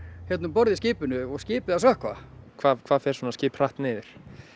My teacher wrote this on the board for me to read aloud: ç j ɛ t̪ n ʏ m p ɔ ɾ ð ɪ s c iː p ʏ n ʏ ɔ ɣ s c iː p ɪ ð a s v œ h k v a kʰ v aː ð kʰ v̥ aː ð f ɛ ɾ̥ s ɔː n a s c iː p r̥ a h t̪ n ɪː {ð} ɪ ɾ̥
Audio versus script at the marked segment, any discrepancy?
no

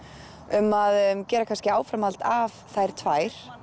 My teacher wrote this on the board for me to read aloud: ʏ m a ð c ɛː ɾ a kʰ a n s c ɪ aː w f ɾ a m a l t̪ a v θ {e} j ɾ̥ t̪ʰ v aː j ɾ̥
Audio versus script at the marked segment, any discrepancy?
yes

